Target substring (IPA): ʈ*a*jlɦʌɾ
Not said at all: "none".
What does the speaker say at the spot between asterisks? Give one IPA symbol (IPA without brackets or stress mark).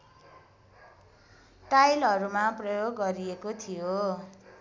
a